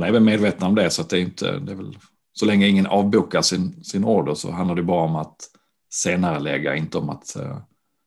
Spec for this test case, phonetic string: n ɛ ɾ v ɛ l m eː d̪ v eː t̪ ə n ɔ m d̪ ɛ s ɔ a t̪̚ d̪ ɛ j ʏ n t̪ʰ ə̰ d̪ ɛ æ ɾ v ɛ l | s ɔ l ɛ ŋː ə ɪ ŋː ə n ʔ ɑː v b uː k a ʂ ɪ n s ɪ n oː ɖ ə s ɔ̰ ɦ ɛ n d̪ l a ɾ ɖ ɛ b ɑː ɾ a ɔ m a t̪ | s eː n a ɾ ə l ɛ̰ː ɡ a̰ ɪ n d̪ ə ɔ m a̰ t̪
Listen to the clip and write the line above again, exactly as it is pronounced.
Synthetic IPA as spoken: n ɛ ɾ v ɛ l m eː d̪ v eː t̪ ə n ɔ m d̪ ɛ s ɔ a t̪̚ d̪ ɛ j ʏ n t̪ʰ ə̰ d̪ ɛ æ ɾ v ɛ l | s ɔ l ɛ ŋː ə ɪ ŋː ə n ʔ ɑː v b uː k a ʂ ɪ n s ɪ n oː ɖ ə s ɔ̰ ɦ a n d̪ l a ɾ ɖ ɛ b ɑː ɾ a ɔ m a t̪ | s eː n a ɾ ə l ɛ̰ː ɡ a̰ ɪ n t̪ ə ɔ m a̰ t̪